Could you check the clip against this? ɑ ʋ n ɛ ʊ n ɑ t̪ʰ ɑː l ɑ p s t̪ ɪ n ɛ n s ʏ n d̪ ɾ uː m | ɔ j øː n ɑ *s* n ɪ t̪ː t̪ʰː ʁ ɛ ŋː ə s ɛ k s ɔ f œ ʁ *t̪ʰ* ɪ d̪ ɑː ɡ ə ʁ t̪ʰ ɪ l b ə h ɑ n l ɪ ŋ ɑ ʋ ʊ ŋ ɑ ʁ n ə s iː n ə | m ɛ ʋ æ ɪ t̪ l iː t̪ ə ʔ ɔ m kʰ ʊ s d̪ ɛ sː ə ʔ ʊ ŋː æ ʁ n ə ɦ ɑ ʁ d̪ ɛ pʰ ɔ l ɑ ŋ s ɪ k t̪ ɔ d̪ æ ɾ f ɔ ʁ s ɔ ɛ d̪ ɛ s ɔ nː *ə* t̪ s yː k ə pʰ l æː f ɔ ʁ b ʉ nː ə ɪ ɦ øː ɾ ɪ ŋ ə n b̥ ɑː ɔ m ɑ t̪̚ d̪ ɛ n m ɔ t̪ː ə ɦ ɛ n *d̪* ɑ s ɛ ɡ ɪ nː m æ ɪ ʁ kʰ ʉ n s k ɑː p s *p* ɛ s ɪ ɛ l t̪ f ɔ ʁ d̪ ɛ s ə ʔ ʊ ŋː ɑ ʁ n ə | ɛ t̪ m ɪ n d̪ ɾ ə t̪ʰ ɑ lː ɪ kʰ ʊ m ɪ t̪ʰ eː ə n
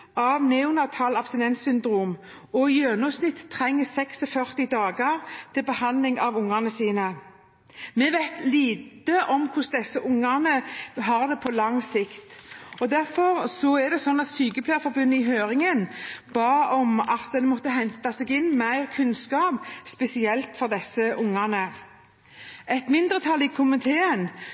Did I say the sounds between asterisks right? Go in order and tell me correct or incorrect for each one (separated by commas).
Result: correct, incorrect, incorrect, incorrect, correct